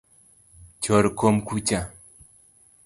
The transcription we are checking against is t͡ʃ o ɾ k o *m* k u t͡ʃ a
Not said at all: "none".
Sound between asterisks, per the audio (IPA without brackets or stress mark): m